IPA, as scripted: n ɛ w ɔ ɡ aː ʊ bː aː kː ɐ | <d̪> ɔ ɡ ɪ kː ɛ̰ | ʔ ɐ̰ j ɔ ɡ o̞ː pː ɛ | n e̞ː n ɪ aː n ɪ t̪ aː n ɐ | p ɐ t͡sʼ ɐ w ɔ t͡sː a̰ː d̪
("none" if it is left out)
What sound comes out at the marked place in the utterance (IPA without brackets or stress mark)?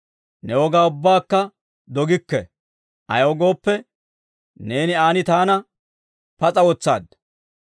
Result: d̪